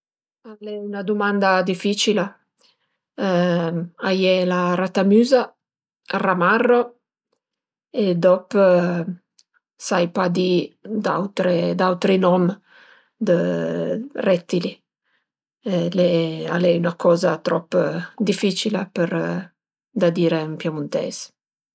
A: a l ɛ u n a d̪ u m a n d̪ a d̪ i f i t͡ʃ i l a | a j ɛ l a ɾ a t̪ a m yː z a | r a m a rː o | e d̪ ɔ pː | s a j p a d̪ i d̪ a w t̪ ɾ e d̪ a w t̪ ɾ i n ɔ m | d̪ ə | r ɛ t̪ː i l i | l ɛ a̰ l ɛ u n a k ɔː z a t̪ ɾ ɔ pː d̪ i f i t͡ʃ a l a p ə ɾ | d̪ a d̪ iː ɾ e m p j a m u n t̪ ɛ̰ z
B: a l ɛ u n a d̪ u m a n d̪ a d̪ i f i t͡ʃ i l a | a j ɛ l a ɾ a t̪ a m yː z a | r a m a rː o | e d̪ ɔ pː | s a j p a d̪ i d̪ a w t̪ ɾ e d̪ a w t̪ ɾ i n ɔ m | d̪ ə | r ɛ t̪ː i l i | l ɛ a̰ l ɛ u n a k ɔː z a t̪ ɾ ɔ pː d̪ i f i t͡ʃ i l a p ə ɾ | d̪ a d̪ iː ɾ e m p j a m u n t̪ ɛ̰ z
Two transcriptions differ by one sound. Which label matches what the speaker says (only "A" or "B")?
B